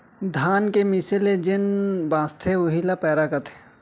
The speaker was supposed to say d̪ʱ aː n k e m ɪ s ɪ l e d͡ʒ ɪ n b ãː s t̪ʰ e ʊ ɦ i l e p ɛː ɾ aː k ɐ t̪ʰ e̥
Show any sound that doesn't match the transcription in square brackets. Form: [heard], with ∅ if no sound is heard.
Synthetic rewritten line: d̪ʱ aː n k e m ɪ s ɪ l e d͡ʒ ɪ n b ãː s t̪ʰ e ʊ ɦ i l [a] p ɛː ɾ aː k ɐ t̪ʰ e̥

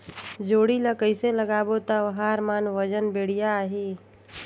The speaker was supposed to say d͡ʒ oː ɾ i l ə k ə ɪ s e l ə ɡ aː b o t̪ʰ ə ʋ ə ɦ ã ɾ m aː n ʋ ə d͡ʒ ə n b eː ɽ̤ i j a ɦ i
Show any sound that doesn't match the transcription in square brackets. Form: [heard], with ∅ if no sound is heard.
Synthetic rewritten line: d͡ʒ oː [ɽ] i l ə k ə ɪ s e l ə ɡ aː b o [t̪] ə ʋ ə ɦ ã ɾ m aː n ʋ ə d͡ʒ ə n b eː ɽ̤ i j a ɦ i

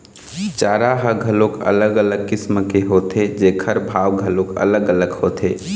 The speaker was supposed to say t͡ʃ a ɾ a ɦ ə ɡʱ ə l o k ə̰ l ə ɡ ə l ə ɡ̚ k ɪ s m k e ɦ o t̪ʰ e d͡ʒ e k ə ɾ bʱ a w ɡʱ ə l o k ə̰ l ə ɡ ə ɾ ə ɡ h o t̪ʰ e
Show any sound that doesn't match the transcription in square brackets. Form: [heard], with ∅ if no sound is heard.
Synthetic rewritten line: t͡ʃ a ɾ a ɦ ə ɡʱ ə l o k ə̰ l ə ɡ ə l ə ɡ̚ k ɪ s m k e ɦ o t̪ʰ e d͡ʒ e [kʰ] ə ɾ bʱ a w ɡʱ ə l o k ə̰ l ə ɡ ə [l] ə ɡ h o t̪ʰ e

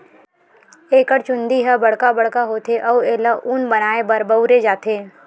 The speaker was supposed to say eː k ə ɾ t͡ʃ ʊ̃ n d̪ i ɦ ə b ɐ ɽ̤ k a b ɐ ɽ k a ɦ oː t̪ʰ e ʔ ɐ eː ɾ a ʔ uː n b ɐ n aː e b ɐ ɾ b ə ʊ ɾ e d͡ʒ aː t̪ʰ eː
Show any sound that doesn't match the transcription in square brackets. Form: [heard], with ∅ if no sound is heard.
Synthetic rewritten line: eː k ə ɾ t͡ʃ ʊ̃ n d̪ i ɦ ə b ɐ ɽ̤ k a b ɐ ɽ k a ɦ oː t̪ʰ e ʔ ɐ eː [l] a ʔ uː n b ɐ n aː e b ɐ ɾ b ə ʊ ɾ e d͡ʒ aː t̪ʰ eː

